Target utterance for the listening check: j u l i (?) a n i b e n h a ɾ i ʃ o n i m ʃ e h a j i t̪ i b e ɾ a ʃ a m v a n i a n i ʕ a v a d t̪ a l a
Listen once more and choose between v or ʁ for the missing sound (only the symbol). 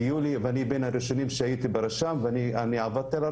v